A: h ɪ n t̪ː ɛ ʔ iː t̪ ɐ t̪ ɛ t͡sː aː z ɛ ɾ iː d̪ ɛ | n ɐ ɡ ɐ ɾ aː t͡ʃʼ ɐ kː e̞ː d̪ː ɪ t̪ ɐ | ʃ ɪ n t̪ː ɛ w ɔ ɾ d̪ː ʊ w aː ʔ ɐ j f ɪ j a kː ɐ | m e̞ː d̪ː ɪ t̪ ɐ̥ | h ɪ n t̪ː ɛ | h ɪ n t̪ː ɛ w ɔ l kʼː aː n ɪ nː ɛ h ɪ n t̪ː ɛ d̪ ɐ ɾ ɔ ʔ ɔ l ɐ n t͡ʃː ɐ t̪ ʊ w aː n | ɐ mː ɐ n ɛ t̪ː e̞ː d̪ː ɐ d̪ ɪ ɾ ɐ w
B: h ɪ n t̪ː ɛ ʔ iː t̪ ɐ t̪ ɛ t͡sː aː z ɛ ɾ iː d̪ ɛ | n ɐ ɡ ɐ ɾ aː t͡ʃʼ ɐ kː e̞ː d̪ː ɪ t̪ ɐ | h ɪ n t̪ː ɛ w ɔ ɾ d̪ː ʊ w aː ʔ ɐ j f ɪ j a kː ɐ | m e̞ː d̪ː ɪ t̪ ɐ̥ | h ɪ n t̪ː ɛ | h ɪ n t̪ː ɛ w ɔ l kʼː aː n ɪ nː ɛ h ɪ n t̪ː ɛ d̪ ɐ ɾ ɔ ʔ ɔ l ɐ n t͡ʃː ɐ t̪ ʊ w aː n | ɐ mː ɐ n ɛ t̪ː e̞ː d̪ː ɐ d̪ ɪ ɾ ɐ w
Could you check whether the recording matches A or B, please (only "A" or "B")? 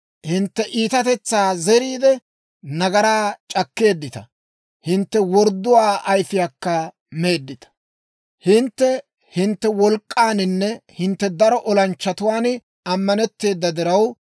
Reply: B